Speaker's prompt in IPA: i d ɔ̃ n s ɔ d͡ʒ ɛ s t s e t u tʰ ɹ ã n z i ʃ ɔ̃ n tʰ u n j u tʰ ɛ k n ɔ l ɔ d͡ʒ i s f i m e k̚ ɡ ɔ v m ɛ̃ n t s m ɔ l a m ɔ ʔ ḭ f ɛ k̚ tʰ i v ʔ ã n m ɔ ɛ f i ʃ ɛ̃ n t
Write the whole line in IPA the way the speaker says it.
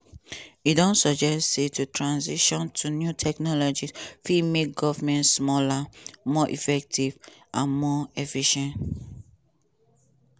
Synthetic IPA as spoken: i d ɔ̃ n s ɔ d͡ʒ ɛ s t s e t u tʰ ɹ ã n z i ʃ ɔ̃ n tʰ u n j u tʰ ɛ k n ɔ l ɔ d͡ʒ i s f i m e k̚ ɡ ɔ v m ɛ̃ n t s m ɔ l a m ɔ ʔ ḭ f ɛ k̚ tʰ i v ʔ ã n m ɔ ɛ f i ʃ ɛ̃ n t